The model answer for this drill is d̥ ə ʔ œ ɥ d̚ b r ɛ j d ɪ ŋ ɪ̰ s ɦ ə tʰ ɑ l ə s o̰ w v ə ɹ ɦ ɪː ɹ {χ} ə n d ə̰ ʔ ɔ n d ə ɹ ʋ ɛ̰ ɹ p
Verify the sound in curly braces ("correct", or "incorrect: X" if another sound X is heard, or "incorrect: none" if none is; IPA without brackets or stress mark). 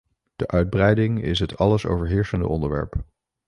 incorrect: s